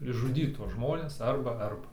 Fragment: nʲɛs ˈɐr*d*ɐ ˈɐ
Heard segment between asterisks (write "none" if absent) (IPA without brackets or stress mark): b